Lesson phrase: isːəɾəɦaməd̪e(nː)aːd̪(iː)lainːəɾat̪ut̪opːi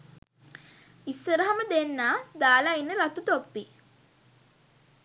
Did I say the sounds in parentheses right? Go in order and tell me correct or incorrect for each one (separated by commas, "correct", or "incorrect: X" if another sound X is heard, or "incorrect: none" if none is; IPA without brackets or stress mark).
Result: correct, incorrect: aː